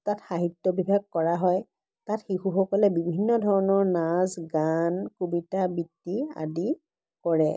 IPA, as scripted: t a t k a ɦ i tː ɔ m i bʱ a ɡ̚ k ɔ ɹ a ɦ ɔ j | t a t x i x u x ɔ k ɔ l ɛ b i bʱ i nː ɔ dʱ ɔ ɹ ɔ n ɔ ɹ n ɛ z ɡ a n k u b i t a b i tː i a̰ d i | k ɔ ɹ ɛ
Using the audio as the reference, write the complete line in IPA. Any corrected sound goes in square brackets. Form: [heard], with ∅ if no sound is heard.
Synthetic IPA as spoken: t a t [x] a ɦ i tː ɔ [b] i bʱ a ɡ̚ k ɔ ɹ a ɦ ɔ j | t a t x i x u x ɔ k ɔ l ɛ b i bʱ i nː ɔ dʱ ɔ ɹ ɔ n ɔ ɹ n [a] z ɡ a n k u b i t a b i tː i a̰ d i | k ɔ ɹ ɛ